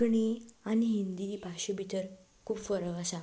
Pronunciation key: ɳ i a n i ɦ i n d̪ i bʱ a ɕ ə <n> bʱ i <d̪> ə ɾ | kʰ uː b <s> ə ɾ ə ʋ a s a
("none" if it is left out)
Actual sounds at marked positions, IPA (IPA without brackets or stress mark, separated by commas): none, t̪, f